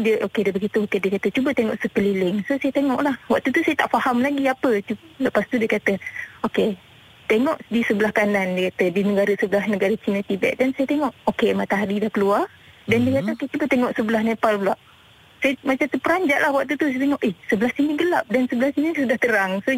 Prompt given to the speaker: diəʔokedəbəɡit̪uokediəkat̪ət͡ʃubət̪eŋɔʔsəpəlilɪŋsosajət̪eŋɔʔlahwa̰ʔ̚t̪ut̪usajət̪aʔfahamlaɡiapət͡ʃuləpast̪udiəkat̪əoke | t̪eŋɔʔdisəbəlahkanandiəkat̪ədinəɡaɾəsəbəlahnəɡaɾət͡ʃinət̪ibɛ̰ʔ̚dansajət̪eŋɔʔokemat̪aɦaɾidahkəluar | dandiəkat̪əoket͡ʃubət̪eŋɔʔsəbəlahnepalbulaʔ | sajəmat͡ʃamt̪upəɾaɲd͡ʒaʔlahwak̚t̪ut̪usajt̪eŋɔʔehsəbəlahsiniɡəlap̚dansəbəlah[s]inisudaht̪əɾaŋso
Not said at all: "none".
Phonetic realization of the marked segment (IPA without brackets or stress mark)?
s